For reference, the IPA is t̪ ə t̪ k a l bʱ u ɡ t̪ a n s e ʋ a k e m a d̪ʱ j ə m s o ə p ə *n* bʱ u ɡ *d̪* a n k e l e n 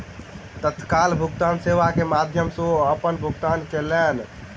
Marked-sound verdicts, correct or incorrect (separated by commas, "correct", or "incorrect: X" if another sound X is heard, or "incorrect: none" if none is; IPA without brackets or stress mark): correct, incorrect: t̪